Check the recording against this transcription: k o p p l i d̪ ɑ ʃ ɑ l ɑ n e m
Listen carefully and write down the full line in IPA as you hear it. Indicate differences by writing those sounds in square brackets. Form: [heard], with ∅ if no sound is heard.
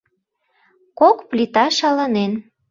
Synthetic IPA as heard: k o [k] p l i [t̪] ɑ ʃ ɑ l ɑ n e [n]